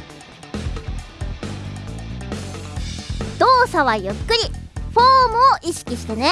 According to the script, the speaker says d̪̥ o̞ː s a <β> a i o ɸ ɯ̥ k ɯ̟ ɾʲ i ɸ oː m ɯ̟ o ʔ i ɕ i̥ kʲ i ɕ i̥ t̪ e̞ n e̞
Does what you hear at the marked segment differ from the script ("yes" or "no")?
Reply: no